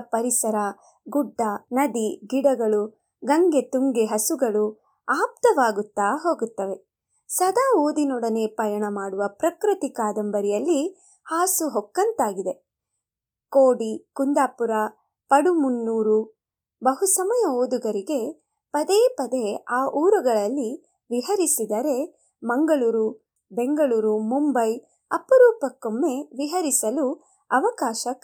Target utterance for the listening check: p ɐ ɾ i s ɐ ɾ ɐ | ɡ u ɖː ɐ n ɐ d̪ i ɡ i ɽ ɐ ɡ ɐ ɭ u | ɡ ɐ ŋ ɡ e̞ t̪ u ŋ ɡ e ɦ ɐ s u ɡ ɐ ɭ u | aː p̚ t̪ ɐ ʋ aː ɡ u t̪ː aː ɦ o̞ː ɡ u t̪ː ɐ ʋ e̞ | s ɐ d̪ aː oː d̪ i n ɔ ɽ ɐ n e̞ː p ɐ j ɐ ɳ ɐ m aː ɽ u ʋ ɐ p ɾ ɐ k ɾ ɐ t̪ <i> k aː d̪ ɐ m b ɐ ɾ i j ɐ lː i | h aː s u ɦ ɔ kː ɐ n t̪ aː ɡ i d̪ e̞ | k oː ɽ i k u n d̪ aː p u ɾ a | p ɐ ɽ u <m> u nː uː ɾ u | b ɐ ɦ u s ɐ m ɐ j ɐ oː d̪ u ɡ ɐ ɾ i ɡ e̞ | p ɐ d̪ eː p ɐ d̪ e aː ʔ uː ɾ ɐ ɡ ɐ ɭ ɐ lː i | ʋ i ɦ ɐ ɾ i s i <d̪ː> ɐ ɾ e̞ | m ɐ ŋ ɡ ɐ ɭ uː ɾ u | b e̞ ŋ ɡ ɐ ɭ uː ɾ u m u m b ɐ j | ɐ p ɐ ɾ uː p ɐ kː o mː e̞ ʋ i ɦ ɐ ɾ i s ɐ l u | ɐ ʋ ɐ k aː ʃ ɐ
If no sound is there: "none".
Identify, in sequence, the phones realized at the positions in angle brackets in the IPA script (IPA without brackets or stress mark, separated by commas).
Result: i, m, d̪